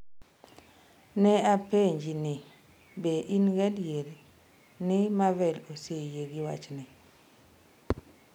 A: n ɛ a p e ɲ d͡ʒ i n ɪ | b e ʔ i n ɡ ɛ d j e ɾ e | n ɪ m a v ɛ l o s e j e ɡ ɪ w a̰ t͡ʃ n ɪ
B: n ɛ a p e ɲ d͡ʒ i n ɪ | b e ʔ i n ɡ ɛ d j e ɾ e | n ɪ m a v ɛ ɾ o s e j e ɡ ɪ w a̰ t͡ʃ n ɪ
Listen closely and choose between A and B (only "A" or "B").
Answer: A